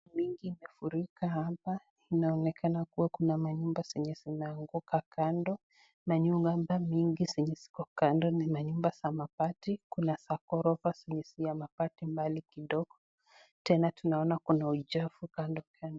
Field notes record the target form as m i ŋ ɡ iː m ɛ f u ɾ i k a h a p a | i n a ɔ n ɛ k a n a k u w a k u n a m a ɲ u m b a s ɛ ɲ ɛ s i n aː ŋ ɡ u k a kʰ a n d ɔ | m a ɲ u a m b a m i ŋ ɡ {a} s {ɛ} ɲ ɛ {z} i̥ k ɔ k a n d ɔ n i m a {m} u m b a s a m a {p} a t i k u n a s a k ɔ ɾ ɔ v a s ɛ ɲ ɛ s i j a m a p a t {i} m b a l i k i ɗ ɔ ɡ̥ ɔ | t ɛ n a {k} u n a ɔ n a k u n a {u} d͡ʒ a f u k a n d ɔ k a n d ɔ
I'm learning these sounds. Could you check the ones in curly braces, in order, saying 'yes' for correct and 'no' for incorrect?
no, yes, no, no, yes, yes, no, yes

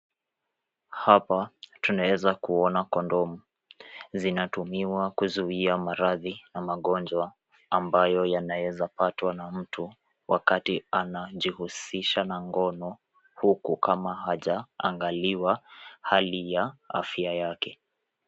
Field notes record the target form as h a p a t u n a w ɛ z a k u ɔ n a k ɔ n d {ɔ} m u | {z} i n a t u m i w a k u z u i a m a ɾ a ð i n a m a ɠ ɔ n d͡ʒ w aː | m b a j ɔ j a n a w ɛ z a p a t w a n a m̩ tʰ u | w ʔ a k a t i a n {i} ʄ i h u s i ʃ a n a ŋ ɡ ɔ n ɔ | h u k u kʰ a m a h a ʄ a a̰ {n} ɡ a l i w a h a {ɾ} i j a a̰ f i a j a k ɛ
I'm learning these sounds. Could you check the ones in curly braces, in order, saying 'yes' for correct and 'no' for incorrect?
yes, yes, no, no, no

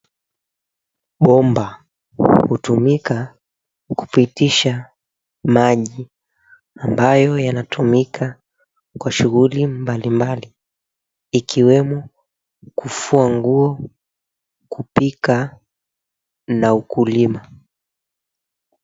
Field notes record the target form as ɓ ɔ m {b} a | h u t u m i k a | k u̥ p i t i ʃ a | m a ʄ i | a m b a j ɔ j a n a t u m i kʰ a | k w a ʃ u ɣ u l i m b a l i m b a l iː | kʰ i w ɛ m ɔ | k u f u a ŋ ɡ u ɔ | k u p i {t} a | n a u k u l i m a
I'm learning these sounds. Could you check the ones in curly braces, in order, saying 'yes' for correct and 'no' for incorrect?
yes, no

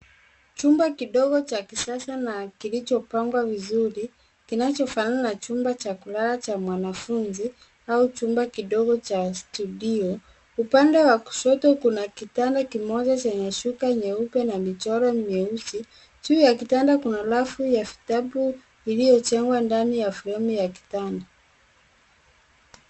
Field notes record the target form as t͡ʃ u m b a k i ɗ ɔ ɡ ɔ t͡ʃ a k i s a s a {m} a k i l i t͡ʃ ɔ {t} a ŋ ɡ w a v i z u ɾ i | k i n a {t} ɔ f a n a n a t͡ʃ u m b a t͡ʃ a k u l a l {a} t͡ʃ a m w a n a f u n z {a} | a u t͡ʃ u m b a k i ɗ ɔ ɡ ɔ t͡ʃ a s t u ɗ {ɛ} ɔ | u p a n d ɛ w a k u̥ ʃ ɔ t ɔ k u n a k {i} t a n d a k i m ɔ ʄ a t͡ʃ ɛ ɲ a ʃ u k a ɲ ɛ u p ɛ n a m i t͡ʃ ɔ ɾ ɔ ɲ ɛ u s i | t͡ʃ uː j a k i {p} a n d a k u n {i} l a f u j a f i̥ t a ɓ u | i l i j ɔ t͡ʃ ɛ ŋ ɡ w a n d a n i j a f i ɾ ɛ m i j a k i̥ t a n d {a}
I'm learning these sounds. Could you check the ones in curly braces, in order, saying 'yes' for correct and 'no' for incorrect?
no, no, no, yes, no, no, yes, no, no, yes

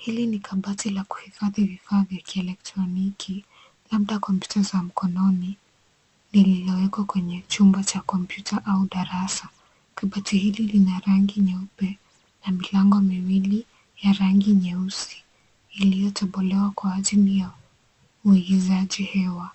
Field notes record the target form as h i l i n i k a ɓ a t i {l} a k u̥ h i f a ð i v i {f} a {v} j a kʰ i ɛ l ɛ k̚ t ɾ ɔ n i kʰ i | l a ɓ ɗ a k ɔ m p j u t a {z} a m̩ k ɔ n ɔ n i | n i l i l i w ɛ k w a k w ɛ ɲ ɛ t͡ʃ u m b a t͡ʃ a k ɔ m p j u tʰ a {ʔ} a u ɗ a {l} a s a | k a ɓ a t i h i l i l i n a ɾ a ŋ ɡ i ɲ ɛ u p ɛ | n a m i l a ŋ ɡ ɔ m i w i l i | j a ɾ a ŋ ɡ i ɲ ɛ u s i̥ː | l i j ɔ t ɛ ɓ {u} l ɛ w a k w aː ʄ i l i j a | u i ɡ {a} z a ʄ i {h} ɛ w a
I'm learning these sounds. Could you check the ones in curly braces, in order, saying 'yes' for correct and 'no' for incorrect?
yes, yes, no, yes, yes, no, no, no, yes

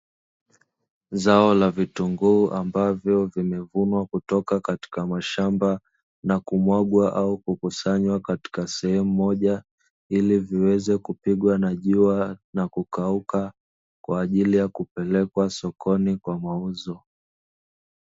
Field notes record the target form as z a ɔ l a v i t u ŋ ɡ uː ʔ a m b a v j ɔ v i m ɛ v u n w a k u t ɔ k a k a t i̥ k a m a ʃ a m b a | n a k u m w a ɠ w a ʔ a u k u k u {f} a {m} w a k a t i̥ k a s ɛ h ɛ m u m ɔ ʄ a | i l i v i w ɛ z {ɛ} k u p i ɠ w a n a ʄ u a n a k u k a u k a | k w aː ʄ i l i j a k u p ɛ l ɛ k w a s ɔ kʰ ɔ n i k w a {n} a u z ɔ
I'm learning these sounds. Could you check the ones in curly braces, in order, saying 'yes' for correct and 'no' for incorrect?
no, no, yes, no

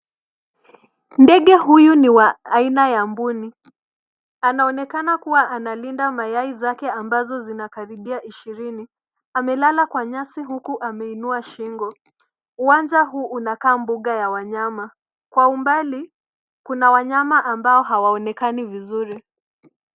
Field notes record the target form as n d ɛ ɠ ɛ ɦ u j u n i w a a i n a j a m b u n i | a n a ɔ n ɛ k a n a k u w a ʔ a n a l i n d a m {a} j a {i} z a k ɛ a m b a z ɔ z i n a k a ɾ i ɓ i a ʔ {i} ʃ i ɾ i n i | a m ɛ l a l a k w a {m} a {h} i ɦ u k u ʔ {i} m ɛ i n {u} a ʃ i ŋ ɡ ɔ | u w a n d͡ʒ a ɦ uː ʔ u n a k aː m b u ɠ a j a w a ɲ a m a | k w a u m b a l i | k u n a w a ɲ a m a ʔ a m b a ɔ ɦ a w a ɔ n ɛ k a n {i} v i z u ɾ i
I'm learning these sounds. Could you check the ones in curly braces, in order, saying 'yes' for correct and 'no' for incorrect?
yes, yes, yes, no, no, no, yes, yes

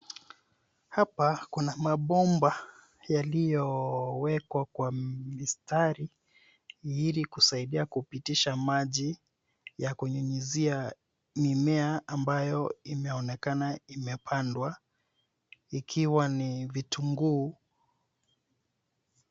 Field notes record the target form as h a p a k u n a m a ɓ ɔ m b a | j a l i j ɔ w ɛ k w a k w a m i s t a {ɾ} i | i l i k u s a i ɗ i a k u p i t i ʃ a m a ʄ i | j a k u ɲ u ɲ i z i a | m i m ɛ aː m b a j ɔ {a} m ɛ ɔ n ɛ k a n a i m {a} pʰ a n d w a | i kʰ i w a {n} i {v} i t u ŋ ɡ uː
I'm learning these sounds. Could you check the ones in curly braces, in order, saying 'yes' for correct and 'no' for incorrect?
yes, no, no, yes, yes

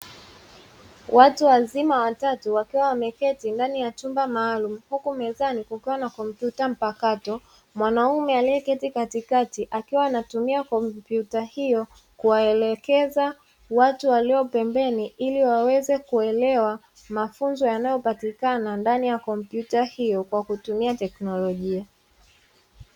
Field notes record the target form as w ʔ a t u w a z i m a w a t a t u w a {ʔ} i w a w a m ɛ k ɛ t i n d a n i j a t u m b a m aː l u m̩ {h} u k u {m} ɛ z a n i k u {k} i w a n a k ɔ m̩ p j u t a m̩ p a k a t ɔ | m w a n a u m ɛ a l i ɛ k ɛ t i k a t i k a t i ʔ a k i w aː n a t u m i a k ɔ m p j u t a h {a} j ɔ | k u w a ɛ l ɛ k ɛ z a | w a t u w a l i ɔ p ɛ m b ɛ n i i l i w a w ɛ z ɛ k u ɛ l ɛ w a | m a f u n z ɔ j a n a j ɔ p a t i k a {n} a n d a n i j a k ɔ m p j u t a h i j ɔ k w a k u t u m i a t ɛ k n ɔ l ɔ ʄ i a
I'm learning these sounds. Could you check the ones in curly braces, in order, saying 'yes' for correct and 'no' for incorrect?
no, yes, yes, yes, no, yes

